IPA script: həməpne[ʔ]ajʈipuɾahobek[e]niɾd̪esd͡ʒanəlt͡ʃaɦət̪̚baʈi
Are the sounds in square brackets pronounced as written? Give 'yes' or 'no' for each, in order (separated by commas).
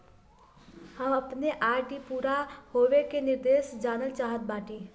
yes, yes